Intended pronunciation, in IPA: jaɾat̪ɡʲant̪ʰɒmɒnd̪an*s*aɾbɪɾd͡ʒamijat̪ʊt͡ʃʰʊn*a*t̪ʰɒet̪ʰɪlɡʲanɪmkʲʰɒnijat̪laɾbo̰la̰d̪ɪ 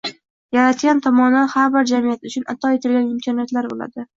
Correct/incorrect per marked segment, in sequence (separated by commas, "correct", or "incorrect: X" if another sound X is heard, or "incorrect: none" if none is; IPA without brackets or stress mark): incorrect: h, correct